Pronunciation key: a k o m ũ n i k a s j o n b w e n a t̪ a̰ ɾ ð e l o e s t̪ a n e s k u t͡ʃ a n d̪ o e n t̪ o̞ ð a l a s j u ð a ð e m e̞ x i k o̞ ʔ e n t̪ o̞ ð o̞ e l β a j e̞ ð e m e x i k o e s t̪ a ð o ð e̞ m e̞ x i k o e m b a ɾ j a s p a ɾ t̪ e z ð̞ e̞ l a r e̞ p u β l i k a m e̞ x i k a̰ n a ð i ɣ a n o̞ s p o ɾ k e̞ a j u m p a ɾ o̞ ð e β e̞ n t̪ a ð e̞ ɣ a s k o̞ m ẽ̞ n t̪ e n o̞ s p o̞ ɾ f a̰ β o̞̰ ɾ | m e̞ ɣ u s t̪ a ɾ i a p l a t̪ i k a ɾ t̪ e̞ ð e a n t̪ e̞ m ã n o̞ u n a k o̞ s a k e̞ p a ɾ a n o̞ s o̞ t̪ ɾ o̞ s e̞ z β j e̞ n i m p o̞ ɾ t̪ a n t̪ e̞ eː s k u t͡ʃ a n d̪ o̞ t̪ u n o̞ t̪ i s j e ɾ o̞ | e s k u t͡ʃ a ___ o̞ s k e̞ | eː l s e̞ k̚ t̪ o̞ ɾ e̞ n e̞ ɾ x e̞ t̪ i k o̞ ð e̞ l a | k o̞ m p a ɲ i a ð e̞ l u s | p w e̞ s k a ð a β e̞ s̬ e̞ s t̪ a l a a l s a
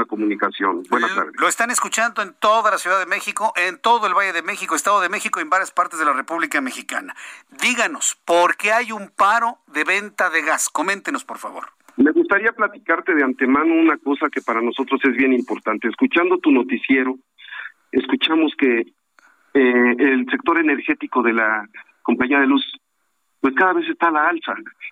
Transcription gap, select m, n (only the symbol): m